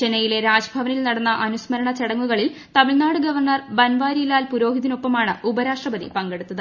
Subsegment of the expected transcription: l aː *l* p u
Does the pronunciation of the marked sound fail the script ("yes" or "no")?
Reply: no